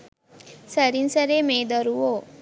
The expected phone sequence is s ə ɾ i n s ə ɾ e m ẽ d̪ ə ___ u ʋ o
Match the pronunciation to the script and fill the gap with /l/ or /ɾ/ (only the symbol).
ɾ